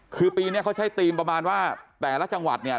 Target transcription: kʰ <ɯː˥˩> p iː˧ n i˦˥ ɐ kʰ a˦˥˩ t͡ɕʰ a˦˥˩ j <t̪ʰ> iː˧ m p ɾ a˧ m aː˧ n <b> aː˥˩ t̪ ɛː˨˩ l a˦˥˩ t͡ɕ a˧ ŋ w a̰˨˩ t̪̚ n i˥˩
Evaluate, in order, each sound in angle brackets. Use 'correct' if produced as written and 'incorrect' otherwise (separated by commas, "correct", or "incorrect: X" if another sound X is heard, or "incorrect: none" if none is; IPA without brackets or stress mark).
incorrect: ɯː˧, incorrect: t̪, incorrect: w